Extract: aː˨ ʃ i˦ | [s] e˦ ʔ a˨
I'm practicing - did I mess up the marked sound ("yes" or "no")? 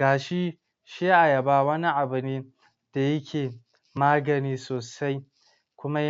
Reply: yes